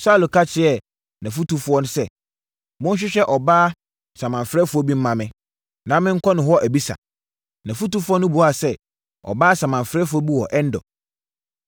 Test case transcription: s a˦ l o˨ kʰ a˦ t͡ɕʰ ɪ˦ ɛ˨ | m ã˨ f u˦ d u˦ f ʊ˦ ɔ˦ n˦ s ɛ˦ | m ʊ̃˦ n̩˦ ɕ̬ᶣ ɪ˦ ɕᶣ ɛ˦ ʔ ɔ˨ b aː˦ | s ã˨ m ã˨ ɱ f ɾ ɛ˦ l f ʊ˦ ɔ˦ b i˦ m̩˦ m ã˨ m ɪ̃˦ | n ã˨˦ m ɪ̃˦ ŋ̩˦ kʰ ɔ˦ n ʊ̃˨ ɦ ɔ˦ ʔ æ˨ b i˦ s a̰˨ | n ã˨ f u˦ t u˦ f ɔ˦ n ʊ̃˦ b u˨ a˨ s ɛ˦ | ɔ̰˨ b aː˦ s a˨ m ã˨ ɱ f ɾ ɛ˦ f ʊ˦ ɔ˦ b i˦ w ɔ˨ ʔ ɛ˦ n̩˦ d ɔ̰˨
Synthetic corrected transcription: s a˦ l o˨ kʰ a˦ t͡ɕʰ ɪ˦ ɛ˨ | n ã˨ f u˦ t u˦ f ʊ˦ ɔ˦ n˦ s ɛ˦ | m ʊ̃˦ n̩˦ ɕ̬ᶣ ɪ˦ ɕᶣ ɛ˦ ʔ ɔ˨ b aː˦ | s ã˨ m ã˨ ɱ f ɾ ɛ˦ f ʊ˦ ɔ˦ b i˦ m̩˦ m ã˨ m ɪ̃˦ | n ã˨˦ m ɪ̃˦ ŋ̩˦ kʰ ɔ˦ n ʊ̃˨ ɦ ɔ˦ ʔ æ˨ b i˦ s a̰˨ | n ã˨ f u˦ t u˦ f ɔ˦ n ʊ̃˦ b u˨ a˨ s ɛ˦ | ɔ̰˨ b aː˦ s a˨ m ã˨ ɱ f ɾ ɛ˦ f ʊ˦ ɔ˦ b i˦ w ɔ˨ ʔ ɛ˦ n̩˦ d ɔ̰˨